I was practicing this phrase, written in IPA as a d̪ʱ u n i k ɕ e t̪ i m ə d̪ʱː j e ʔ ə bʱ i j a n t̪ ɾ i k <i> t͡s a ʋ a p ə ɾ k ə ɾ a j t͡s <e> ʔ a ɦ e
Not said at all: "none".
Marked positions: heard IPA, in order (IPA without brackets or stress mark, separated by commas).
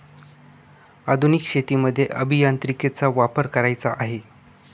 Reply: e, a